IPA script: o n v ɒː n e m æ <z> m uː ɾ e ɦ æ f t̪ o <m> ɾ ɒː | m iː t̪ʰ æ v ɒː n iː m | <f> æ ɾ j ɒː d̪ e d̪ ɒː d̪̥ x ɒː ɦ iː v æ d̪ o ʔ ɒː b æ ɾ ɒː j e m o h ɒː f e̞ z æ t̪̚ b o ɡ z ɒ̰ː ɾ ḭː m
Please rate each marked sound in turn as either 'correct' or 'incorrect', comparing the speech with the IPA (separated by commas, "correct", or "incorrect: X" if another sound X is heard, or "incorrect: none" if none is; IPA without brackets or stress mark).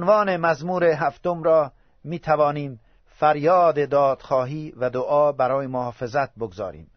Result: correct, correct, correct